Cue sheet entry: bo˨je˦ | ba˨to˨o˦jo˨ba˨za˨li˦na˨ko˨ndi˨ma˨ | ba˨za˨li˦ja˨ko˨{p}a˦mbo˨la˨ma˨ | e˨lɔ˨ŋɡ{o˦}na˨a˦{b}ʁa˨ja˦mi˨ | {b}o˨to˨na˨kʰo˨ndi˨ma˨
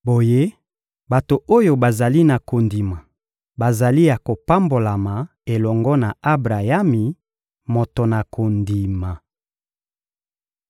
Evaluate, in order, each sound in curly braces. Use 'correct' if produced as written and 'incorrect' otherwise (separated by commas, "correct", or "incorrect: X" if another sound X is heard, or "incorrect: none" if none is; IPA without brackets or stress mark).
correct, incorrect: ɔ˦, correct, incorrect: m